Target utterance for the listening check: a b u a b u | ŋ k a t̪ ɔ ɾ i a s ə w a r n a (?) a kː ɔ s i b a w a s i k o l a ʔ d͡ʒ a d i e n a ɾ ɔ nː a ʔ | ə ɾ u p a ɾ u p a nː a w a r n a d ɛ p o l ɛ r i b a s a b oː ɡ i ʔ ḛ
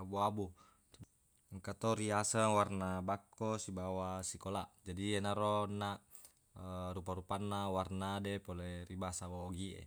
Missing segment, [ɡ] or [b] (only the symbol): b